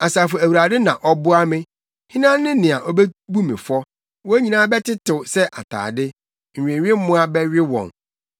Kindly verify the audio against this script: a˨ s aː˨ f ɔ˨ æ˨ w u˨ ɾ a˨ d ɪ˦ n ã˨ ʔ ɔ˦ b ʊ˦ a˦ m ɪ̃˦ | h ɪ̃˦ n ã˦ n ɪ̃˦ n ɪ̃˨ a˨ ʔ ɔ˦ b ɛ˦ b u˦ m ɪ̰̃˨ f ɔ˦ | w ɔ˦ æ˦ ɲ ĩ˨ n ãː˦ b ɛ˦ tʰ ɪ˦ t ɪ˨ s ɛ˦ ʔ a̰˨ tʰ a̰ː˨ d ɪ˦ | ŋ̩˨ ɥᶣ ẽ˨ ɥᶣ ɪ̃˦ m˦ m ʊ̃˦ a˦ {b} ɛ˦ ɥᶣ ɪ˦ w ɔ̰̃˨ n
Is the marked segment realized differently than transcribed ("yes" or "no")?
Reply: no